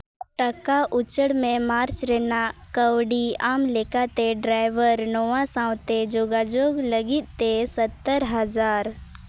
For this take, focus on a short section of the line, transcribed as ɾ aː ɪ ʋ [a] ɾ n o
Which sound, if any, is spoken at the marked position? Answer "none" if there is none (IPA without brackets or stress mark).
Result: ə